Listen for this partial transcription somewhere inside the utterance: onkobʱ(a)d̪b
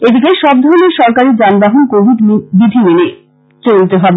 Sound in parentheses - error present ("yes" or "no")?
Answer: yes